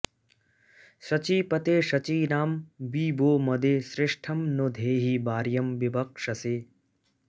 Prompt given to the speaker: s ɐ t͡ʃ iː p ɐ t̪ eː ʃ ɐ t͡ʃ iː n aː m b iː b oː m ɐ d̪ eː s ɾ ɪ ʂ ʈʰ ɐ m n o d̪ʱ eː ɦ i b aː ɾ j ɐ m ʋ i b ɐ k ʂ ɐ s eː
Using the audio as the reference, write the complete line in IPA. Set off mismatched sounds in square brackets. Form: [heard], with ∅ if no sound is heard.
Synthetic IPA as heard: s ɐ t͡ʃ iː p ɐ t̪ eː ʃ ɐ t͡ʃ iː n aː m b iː b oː m ɐ d̪ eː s ɾ ɪ ʂ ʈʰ ɐ m n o d̪ʱ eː ɦ i b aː ɾ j ɐ m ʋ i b ɐ k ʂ ɐ s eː